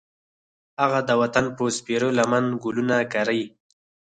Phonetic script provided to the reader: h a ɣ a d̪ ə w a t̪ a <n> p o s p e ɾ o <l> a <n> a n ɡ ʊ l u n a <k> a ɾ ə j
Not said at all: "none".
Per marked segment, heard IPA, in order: n, l, m, k

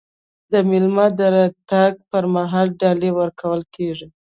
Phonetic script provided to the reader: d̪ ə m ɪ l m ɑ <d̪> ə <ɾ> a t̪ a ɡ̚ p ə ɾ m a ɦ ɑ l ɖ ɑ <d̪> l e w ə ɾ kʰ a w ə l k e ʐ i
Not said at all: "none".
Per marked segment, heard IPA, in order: d̪, ɾ, none

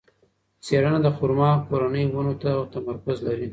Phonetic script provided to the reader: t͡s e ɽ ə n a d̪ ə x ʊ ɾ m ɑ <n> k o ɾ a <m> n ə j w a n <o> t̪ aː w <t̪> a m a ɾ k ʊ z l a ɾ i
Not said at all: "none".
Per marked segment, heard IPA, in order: none, none, o, t̪

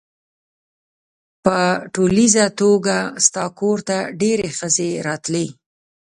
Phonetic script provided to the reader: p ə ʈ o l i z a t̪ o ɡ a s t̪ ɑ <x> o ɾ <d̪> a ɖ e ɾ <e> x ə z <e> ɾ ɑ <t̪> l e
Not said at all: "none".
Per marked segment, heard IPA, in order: k, t̪, e, e, t̪

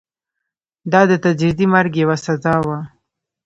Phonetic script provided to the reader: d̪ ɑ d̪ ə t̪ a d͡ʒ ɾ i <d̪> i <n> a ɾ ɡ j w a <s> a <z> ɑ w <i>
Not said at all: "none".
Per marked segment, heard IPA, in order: d̪, m, s, z, a

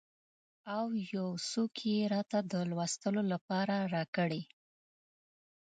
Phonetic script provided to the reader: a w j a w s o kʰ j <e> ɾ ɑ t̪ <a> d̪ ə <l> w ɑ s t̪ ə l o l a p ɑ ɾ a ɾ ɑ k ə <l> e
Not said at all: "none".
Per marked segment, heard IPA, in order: e, a, l, ɽ

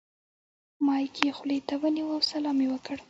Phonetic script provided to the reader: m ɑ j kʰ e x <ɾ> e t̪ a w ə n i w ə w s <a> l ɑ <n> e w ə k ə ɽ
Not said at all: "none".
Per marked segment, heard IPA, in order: l, a, m

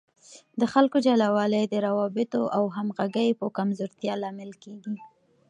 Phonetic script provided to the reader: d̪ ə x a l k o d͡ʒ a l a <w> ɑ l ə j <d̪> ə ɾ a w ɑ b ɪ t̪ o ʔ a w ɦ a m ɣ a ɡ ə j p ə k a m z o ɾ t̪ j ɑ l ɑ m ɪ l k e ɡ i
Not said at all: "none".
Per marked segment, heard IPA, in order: w, d̪

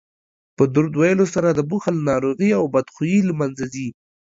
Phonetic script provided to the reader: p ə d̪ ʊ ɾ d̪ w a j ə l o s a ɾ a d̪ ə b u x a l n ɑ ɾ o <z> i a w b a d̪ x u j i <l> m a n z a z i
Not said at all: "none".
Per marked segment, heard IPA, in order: ɣ, l

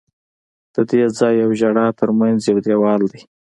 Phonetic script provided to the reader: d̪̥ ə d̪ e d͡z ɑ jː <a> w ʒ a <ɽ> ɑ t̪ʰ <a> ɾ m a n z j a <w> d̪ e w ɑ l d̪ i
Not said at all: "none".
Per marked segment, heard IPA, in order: a, ɽ, ə, w

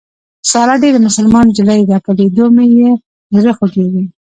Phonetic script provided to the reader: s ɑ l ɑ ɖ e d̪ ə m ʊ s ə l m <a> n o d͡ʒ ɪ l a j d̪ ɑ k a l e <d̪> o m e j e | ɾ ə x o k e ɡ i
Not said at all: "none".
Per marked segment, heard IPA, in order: ɑ, d̪

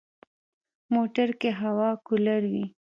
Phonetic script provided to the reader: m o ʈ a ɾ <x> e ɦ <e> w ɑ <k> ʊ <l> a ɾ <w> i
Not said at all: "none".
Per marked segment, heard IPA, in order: k, a, k, l, w

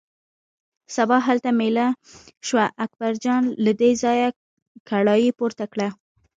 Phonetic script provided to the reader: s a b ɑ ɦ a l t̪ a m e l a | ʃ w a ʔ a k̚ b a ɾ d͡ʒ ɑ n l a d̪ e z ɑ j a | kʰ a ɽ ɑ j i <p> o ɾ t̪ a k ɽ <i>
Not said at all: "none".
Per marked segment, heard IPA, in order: p, a

